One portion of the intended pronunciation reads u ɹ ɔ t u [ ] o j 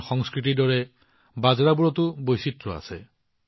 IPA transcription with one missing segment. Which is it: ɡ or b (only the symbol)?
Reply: b